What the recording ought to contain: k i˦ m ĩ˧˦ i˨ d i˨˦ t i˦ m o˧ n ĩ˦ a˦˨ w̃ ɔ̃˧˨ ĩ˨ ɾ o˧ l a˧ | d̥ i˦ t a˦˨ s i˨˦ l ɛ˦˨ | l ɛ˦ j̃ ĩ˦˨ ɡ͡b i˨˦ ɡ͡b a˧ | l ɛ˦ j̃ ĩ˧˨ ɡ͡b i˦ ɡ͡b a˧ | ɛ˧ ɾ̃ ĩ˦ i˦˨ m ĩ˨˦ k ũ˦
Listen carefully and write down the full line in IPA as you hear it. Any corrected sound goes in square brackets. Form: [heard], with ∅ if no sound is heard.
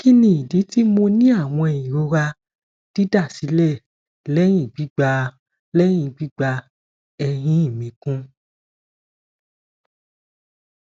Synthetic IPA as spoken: k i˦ [n] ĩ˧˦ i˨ d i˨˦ t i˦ m o˧ n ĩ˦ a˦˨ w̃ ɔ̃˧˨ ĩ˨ ɾ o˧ [ɾ] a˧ | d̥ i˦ [d] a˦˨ s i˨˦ l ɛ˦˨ | l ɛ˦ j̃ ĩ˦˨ ɡ͡b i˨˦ ɡ͡b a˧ | l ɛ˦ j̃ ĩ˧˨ ɡ͡b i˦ ɡ͡b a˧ | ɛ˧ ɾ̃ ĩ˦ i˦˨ m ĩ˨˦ k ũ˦